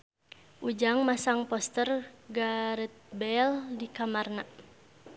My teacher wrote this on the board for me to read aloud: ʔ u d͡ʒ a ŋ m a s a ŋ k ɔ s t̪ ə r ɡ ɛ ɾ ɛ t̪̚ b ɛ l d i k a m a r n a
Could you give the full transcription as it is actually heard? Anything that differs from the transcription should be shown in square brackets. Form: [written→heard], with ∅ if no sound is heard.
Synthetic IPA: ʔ u d͡ʒ a ŋ m a s a ŋ [k→p] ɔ s t̪ ə r ɡ [ɛ→a] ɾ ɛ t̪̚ b ɛ l d i k a m a r n a